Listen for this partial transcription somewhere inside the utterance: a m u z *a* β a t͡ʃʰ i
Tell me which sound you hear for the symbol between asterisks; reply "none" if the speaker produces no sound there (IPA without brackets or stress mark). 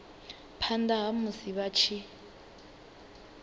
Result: i